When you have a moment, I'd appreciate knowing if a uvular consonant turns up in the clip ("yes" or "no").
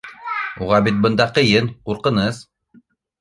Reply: yes